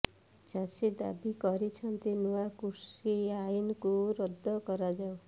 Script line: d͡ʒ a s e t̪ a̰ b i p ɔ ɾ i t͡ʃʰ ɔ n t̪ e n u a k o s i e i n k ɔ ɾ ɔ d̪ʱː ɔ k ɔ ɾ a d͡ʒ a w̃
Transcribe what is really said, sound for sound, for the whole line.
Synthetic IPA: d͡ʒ a s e d̪ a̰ b i k ɔ ɾ i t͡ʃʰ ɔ n t̪ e n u a k u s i a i n k u ɾ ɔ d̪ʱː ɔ k ɔ ɾ a d͡ʒ a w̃